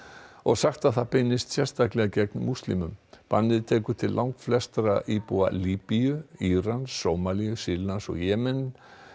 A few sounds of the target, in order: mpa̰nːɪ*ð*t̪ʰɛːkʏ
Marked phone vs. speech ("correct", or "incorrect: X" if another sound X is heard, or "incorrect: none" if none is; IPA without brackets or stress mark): correct